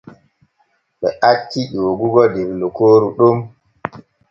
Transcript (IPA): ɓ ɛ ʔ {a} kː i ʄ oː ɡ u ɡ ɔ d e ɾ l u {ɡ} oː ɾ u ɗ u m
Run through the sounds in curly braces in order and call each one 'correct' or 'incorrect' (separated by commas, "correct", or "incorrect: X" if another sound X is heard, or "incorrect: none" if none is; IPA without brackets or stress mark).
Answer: correct, incorrect: k